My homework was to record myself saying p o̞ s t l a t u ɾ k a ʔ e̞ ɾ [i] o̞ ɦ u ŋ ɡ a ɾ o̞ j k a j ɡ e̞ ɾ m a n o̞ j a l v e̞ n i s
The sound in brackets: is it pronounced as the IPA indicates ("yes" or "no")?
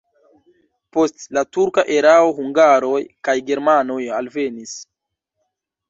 no